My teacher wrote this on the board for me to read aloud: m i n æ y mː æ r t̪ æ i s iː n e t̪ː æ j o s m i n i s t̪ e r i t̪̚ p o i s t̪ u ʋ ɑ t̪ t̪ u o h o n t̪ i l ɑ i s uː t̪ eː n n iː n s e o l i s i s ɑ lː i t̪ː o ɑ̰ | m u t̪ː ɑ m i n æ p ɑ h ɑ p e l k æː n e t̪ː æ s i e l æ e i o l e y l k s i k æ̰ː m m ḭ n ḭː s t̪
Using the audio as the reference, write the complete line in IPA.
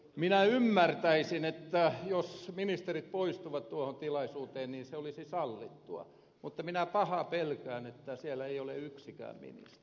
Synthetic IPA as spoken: m i n æ y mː æ r t̪ æ i s i n e t̪ː æ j o s m i n i s t̪ e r i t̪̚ p o i s t̪ u ʋ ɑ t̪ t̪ u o h o n t̪ i l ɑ i s uː t̪ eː n n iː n s e o l i s i s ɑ lː i t̪ː u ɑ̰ | m u t̪ː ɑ m i n æ p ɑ h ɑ p e l k æː n e t̪ː æ s i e l æ e i o l e y k s i k æ̰ː m m ḭ n ḭ s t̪

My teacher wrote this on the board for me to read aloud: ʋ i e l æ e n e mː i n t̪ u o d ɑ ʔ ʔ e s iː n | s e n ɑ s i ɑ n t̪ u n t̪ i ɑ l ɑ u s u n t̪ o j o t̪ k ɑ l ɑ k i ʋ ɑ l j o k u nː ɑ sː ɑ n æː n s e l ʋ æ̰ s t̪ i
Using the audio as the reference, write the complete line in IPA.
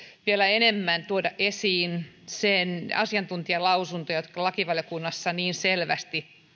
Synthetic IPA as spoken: ʋ i e l æ e n e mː æ n t̪ u o d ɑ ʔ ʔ e s iː n | s e n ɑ s i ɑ n t̪ u n t̪ i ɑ l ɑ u s u n t̪ o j o t̪ k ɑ l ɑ k i ʋ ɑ l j o k u nː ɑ sː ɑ n iː n s e l ʋ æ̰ s t̪ i

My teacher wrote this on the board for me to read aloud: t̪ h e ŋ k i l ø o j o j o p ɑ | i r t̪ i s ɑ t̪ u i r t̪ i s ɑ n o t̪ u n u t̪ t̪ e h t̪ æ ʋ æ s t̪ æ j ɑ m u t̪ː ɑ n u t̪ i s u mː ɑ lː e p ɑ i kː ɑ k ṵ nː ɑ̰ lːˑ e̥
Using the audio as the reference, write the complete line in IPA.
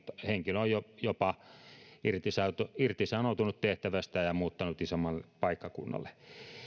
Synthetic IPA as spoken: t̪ h e ŋ k i l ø o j o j o p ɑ | i r t̪ i s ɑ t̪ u i r t̪ i s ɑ n o t̪ u n u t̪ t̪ e h t̪ æ ʋ æ s t̪ æ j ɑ m uː t̪ː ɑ n u t̪ i s o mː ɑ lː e p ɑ i kː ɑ k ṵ nː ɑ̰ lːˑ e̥

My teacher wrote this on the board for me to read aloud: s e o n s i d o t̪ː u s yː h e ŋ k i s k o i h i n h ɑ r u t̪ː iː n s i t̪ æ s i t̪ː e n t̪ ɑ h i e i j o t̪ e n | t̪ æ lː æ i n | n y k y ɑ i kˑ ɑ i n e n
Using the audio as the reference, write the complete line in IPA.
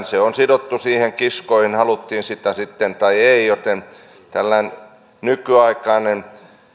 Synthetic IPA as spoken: s e o n s i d o t̪ː u s iː h e ŋ k i s k o i h i n h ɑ l u t̪ː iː n s i t̪ æ s i t̪ː e n t̪ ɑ i e i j o t̪ e n | t̪ æ lː æ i n | n y k y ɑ i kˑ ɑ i n e n

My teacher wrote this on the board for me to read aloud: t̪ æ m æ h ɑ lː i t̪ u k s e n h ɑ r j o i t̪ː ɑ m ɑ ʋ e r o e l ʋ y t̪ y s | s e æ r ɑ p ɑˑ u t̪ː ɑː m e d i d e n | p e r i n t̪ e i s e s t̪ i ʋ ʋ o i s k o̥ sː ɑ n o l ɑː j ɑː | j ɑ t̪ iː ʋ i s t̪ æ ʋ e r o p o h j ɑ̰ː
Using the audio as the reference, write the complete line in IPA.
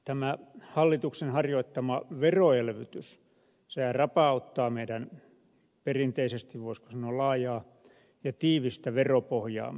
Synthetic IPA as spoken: t̪ æ m æ h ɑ lː i t̪ u k s e n h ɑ r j o i t̪ː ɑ m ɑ ʋ e r o e l ʋ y t̪ y s | s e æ r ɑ p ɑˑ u t̪ː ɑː m e i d æ n | p e r i n t̪ e i s e s t̪ i ʋ ʋ o i s k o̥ s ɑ n o l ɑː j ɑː | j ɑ t̪ iː ʋ i s t̪ æ ʋ e r o p o h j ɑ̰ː

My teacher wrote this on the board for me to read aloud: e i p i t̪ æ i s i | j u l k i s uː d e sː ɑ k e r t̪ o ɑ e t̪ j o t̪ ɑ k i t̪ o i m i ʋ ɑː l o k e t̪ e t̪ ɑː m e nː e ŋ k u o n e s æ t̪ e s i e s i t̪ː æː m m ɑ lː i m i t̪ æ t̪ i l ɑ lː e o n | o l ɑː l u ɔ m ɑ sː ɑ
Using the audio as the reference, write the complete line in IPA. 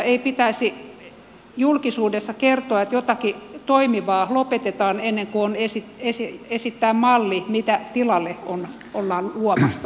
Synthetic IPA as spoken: e i p i t̪ æ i s i | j u l k i s uː d e sː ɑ k e r t̪ o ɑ e t̪ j o t̪ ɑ k i t̪ o i m i ʋ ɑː l o p e t̪ e t̪ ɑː n e nː e ŋ k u o n e s i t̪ e s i e s i t̪ː æː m m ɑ lː i m i t̪ æ t̪ i l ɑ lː e o n | o lː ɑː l u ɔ m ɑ sː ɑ

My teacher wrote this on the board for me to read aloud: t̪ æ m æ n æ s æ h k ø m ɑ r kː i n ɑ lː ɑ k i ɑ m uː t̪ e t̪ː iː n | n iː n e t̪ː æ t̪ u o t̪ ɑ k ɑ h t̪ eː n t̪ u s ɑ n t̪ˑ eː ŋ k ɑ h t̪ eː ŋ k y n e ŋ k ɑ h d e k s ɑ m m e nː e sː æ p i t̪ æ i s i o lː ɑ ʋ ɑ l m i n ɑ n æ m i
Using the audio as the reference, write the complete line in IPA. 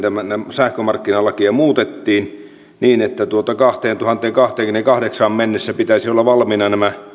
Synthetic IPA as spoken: t̪ æ m æ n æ s æ h k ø m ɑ r kː i n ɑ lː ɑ k i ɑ m uː t̪ e t̪ː iː n | n iː n e t̪ː æ t̪ u o t̪ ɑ k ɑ h t̪ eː n t̪ u h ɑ n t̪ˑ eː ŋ k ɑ h t̪ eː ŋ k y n e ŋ k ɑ h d e k s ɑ m m e nː e sː æ p i t̪ æ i s i o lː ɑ ʋ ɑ l m i n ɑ n æ m æ

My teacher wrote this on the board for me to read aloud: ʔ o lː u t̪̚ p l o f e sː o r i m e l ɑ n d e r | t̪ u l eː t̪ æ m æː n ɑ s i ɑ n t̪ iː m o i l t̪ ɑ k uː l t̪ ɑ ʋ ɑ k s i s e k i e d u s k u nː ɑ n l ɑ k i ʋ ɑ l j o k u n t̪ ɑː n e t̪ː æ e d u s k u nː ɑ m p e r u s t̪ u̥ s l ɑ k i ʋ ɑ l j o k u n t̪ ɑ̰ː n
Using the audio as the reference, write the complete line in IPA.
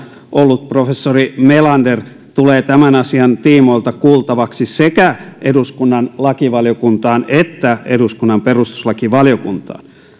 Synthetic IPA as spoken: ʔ o lː u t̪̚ p r o f e sː o r i m e l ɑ n d e r | t̪ u l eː t̪ æ m æ n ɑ s i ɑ n t̪ iː m o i l t̪ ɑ k uː l t̪ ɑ ʋ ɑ k s i s e k æ e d u s k u nː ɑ n l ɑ k i ʋ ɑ l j o k u n t̪ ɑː n e t̪ː æ e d u s k u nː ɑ m p e r u s t̪ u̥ s l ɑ k i ʋ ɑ l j o k u n t̪ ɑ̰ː n

